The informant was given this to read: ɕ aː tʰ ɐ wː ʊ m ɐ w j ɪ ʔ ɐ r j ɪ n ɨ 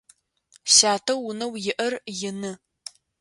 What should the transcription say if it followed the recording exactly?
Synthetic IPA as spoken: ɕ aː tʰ ɐ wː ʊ n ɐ w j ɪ ʔ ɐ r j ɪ n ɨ